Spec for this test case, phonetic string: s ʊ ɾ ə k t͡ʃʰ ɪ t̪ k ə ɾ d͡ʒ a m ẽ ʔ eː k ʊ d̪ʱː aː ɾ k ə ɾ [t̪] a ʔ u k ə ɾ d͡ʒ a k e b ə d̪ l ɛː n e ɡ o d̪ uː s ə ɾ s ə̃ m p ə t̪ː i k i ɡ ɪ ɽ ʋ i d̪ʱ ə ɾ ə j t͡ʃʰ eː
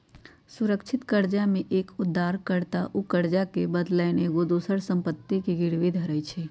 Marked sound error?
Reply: no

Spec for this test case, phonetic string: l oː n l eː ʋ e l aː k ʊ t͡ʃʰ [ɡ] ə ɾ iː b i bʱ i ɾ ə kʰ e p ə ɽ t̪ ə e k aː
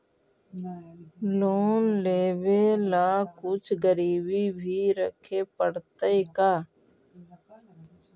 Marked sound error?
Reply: no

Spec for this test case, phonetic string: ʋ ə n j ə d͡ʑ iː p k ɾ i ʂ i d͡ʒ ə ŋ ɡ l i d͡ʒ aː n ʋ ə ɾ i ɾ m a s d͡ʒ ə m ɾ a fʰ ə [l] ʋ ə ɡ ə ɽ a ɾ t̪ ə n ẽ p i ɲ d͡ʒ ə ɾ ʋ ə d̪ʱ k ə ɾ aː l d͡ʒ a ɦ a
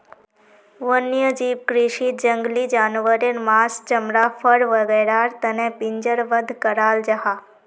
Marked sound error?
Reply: yes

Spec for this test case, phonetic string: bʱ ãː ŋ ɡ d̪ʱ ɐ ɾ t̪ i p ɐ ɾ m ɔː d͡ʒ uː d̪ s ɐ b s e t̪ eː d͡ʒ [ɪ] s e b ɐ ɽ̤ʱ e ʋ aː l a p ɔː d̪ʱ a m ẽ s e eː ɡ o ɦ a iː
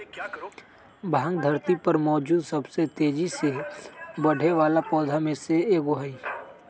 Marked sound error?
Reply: yes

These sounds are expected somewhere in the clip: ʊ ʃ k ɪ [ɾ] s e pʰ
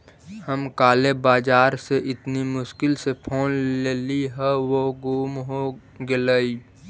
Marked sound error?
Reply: yes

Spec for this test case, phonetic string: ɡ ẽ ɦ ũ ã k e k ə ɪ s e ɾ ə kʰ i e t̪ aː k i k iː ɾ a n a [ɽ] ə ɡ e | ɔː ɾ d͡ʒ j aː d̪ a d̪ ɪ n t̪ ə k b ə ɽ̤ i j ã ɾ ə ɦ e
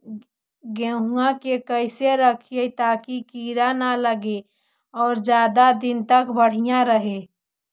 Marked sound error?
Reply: yes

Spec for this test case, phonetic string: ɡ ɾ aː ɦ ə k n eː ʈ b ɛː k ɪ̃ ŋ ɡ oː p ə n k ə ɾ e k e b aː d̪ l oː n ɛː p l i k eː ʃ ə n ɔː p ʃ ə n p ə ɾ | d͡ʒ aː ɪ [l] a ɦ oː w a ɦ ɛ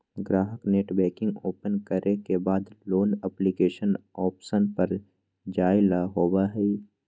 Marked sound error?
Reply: no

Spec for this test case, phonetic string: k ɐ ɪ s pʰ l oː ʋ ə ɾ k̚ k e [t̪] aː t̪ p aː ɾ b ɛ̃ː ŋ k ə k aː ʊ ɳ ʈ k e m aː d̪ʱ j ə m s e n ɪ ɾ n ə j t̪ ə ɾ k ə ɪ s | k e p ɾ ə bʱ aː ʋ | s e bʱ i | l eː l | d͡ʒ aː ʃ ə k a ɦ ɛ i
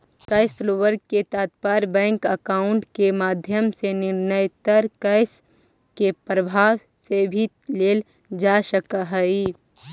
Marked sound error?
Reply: no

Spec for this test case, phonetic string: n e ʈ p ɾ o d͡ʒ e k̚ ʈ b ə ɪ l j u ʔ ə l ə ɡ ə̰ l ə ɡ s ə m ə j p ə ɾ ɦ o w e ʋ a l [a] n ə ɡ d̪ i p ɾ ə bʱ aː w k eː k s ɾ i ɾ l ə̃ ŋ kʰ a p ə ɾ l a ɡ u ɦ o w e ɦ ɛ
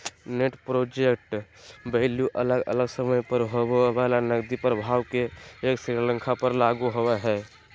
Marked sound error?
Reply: no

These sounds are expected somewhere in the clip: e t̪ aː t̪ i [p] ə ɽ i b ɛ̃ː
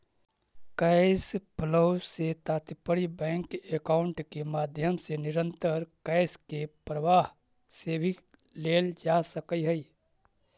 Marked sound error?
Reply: no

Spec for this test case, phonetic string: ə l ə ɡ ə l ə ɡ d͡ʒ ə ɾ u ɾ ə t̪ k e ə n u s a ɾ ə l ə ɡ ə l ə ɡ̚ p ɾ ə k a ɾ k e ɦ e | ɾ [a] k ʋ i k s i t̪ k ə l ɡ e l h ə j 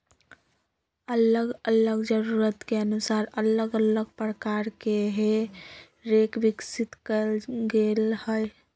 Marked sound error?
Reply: yes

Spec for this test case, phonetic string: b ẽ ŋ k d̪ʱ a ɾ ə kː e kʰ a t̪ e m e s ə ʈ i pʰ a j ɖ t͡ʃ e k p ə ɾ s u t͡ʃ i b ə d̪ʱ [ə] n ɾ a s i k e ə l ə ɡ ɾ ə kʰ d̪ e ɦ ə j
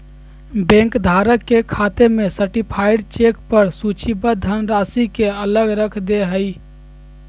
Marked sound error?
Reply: no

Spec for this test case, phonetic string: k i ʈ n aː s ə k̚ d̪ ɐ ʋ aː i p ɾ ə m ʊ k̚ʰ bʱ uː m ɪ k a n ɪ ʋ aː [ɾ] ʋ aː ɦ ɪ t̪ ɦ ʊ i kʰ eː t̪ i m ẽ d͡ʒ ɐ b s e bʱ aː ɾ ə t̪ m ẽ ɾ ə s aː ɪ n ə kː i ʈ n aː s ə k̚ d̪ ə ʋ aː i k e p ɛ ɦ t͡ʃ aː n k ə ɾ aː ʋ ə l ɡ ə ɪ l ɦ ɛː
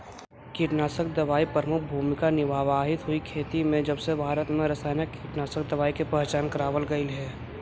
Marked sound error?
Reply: yes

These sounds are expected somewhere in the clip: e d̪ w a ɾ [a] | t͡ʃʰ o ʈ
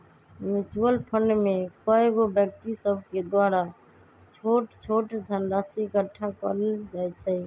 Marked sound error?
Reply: no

